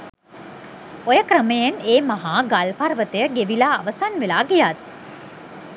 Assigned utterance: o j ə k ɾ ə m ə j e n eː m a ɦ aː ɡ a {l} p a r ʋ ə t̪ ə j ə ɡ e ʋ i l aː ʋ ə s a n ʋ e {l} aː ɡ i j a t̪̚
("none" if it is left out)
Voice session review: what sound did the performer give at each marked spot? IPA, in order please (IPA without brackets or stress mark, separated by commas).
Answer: l, l